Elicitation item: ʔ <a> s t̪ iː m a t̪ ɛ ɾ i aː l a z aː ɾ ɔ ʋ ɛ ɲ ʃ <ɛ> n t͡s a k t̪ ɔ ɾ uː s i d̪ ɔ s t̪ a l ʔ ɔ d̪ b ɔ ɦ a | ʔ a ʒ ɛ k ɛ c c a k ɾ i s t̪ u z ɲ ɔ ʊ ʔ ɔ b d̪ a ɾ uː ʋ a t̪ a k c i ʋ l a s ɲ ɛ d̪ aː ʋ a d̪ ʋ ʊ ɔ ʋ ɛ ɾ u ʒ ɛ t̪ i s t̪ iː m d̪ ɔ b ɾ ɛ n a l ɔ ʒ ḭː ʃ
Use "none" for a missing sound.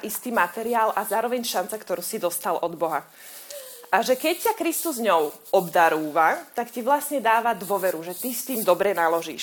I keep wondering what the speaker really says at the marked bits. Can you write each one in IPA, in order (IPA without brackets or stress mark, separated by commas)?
i, a